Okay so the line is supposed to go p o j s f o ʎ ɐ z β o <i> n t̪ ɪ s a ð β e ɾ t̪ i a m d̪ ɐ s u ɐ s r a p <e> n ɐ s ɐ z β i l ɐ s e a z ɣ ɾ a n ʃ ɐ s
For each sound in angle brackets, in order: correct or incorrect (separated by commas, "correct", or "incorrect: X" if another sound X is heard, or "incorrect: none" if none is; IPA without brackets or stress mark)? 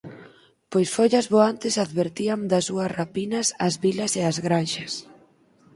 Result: incorrect: a, incorrect: i